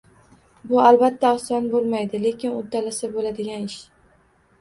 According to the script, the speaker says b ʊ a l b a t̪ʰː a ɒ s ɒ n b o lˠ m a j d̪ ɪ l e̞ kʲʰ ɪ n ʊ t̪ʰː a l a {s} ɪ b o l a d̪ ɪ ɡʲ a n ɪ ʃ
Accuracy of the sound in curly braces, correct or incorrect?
correct